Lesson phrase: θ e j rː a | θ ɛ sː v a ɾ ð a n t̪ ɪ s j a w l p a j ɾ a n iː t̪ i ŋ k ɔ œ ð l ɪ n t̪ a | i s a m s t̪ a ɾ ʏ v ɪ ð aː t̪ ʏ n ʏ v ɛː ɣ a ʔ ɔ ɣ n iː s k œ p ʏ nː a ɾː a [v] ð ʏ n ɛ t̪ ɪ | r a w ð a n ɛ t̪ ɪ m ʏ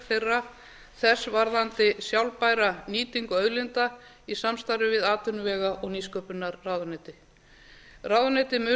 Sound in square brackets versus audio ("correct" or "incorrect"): incorrect